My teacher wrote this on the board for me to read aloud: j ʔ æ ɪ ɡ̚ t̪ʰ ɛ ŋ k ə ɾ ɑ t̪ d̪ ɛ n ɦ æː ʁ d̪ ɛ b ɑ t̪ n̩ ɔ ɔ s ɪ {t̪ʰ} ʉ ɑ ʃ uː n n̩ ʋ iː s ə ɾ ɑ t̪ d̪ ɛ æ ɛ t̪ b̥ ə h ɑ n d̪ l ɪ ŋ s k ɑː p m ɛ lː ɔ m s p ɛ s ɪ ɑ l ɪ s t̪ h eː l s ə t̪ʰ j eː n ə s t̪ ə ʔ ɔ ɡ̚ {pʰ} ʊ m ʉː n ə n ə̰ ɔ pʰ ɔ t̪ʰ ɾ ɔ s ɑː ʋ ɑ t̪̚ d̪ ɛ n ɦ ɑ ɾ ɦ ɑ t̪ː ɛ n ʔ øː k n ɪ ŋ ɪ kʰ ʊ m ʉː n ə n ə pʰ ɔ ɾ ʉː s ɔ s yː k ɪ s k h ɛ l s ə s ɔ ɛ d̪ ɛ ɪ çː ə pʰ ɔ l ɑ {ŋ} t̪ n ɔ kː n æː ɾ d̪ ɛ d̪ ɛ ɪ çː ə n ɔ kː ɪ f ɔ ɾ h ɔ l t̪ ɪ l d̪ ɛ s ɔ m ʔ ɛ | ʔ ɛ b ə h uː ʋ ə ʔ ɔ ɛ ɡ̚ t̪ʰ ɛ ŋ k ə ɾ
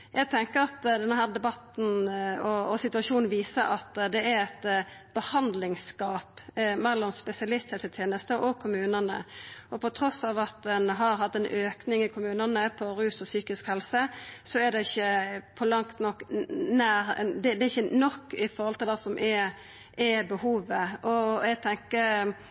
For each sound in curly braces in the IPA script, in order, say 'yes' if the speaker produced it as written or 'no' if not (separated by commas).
no, no, yes